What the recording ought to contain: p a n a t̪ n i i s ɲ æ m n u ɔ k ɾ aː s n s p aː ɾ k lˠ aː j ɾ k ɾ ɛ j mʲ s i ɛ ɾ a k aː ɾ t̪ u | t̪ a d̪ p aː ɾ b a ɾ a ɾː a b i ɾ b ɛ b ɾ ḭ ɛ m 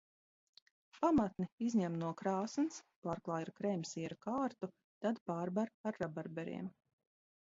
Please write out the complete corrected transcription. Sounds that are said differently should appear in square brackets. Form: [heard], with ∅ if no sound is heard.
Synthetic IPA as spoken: p a [m] a t̪ n i i [z] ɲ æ m n u ɔ k ɾ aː s n s p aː ɾ k lˠ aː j ɾ k ɾ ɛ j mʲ s i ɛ ɾ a k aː ɾ t̪ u | t̪ a d̪ p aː ɾ b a ɾ a ɾː a b [a] ɾ b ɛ [∅] ɾ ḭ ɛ m